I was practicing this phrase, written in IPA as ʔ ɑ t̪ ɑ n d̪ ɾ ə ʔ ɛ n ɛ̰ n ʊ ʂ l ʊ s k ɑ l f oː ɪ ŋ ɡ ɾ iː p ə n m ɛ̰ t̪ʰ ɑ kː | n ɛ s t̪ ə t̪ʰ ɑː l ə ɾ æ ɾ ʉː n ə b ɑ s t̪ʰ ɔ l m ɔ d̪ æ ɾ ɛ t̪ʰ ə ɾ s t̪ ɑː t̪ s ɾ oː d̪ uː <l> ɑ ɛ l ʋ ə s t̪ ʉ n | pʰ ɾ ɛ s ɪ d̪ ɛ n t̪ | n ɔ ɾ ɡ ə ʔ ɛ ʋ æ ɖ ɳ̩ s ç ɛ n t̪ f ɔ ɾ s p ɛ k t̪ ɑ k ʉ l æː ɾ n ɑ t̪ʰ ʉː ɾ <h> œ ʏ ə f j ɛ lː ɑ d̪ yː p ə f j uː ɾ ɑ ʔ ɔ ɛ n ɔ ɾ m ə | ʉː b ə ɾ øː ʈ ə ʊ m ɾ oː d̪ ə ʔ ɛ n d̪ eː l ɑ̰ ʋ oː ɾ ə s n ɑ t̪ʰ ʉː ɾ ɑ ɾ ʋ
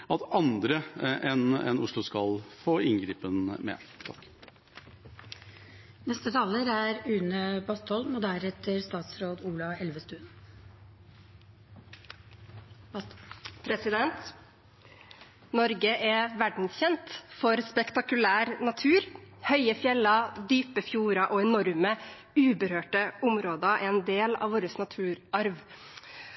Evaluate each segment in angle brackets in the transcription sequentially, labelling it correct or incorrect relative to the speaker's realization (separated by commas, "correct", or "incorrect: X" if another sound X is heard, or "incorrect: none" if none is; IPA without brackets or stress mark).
correct, correct